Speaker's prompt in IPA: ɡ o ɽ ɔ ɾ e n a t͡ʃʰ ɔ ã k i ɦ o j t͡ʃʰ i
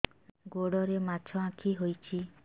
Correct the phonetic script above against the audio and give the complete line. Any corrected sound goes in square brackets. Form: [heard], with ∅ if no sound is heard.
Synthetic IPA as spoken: ɡ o ɽ ɔ ɾ e [m] a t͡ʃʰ ɔ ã [kʰ] i ɦ o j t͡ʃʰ i